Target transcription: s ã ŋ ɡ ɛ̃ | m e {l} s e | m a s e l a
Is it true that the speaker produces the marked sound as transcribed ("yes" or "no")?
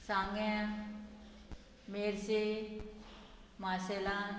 no